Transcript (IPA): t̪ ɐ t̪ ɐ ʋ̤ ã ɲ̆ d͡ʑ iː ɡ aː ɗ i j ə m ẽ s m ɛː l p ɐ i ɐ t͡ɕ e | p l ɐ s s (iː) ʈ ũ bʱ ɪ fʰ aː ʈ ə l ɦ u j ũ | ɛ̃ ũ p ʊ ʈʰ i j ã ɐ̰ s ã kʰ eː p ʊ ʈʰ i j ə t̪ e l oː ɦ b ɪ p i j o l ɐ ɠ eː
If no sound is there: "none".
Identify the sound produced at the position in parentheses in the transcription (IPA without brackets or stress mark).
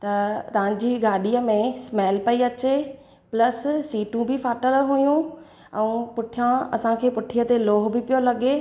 iː